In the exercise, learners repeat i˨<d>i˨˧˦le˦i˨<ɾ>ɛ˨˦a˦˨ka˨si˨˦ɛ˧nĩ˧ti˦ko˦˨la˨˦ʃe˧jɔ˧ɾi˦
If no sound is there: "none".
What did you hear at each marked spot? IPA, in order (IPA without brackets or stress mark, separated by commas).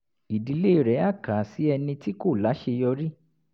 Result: d, ɾ